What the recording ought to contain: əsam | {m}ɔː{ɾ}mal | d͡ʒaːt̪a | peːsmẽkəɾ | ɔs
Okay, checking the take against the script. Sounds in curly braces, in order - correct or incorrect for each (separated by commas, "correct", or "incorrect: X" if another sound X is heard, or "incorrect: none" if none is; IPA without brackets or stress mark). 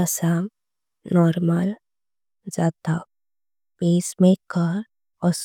incorrect: n, correct